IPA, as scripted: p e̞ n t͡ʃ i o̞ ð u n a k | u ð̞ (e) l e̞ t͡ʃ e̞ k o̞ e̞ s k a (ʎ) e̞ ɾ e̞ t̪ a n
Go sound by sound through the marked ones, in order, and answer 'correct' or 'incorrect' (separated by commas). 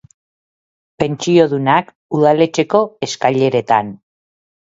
incorrect, correct